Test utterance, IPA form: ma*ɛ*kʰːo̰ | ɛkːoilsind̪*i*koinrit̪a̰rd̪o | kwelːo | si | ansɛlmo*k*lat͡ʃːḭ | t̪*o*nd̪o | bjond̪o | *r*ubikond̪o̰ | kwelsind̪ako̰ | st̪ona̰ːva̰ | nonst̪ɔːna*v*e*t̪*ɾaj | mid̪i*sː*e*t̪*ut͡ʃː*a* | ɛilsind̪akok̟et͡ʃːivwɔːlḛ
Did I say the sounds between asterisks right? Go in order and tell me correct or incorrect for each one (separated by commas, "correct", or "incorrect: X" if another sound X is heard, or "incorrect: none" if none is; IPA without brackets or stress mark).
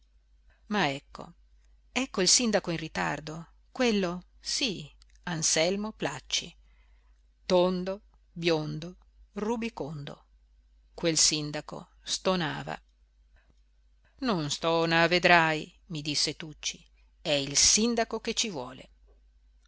correct, incorrect: a, incorrect: p, correct, correct, correct, incorrect: d̪, correct, correct, incorrect: i